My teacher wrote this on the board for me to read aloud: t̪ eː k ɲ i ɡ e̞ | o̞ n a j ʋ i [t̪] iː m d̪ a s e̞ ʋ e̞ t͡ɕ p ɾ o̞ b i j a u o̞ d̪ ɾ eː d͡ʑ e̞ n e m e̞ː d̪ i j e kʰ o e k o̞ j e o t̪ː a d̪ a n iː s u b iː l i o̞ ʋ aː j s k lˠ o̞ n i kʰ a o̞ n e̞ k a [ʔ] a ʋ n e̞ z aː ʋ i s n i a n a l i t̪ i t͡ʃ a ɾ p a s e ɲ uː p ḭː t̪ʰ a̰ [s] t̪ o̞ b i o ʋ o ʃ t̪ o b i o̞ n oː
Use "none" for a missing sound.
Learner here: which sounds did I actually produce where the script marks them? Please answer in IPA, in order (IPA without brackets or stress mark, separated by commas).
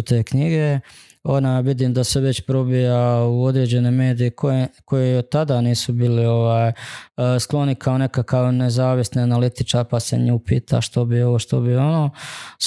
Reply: d̪, k, ʃ